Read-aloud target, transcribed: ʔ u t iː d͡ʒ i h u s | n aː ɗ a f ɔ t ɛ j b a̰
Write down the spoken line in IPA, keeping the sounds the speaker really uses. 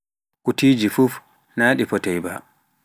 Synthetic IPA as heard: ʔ u t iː d͡ʒ i f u f | n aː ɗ i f ɔ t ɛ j b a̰